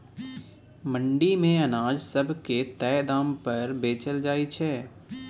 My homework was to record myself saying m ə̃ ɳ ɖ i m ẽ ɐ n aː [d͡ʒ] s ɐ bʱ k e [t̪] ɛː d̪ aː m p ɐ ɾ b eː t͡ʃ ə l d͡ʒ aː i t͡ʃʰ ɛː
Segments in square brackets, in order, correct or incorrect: correct, correct

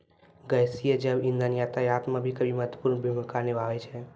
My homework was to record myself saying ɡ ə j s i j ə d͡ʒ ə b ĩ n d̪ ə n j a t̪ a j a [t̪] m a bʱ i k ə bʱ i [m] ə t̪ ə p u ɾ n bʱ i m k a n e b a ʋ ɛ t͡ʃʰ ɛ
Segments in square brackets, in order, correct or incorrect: correct, correct

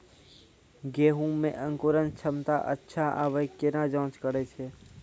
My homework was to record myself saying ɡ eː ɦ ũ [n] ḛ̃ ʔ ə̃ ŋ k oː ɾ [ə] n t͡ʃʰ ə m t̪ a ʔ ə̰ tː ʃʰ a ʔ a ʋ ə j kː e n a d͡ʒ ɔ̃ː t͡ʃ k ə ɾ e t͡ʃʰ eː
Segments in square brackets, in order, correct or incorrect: incorrect, correct

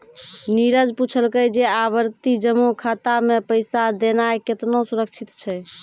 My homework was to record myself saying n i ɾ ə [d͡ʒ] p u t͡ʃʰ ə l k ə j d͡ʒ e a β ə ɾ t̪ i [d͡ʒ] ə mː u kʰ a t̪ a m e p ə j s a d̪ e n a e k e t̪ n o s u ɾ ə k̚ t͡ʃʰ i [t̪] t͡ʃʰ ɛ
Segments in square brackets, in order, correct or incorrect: correct, correct, correct

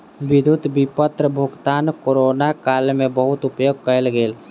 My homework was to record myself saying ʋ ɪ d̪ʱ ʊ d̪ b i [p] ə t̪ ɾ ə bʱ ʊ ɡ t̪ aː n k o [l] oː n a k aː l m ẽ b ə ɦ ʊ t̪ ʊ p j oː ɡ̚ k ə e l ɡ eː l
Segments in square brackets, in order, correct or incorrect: correct, incorrect

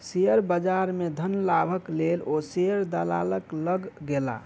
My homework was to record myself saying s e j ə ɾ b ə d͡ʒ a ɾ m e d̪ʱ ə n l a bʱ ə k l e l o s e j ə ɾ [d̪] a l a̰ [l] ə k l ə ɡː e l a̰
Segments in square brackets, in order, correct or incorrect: correct, correct

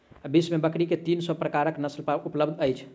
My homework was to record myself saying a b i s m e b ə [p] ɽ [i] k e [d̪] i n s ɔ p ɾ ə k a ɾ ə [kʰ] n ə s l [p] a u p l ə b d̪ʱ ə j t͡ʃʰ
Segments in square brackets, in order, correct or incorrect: incorrect, correct, incorrect, incorrect, correct

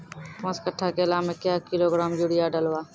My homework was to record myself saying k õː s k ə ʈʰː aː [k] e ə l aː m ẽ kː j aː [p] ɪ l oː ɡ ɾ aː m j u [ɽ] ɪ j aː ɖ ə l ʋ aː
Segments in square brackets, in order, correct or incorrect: correct, incorrect, correct

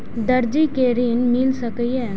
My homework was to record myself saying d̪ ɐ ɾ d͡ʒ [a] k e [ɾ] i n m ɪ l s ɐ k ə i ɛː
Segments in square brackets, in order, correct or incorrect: incorrect, correct

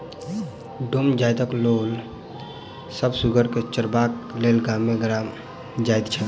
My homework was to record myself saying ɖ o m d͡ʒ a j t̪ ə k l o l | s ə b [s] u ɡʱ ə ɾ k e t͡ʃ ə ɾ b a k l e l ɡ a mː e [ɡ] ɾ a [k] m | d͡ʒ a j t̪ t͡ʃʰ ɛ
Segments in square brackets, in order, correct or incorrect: correct, correct, incorrect

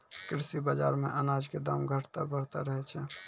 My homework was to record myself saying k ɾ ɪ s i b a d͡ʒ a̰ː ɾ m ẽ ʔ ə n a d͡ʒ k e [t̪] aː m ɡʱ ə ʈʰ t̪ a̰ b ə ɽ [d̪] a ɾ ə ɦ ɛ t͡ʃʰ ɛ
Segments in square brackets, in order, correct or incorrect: incorrect, incorrect

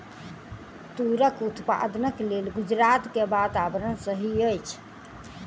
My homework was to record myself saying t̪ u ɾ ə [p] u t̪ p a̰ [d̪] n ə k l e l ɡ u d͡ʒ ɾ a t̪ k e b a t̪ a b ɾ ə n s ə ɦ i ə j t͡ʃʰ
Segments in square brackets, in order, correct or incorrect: incorrect, correct

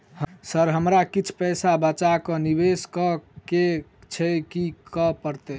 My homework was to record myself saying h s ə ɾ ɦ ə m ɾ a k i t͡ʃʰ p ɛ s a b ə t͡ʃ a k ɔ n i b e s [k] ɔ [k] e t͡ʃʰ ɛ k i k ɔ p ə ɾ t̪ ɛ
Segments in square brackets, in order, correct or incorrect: correct, correct

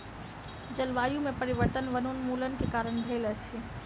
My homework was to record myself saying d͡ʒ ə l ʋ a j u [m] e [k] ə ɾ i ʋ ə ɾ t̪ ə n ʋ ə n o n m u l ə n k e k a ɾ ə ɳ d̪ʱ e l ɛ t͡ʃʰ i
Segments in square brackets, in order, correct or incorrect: correct, incorrect

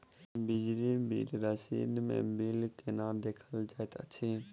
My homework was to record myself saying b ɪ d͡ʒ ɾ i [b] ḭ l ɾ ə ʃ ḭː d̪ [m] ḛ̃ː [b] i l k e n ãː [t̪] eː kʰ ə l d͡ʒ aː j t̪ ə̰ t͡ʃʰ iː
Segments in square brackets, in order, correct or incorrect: correct, correct, correct, incorrect

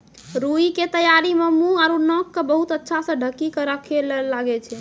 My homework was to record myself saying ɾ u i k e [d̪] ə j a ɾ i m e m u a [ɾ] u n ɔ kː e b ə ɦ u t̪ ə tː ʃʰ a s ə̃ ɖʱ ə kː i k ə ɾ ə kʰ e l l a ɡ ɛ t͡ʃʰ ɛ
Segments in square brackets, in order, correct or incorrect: incorrect, correct

